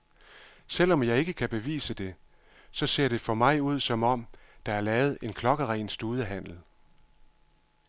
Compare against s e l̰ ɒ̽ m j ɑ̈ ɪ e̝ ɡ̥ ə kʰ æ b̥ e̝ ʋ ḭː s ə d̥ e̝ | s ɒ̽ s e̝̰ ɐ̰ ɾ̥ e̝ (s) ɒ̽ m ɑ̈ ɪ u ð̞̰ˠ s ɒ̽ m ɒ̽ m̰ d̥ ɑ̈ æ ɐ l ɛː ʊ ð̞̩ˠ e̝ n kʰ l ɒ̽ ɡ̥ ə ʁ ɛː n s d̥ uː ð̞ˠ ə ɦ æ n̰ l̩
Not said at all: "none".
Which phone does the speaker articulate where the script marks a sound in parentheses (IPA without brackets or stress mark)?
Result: f